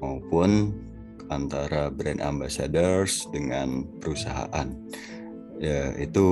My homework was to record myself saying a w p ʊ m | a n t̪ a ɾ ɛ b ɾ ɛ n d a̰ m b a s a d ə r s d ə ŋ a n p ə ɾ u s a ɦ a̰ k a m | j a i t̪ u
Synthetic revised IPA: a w p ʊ n | a n t̪ a ɾ a b ɾ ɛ n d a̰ m b a s a d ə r s d ə ŋ a n p ə ɾ u s a ɦ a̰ ʔ a n | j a i t̪ u